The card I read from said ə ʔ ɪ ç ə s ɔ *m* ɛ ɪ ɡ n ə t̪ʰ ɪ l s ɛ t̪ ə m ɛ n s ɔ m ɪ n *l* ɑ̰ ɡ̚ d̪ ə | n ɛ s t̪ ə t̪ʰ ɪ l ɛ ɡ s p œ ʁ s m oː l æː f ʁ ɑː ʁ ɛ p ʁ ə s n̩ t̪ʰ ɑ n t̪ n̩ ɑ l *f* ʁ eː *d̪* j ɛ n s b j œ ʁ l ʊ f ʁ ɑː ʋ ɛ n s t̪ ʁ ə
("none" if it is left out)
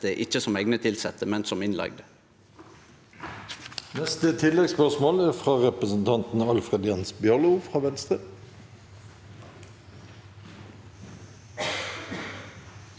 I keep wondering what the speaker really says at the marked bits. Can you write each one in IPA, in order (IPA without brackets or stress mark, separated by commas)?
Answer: m, l, f, d̪